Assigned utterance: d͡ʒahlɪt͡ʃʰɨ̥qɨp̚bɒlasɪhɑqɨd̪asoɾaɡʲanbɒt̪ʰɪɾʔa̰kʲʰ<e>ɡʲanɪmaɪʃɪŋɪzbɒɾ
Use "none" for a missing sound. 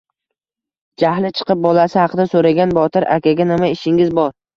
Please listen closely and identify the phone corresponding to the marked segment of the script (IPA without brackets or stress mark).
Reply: a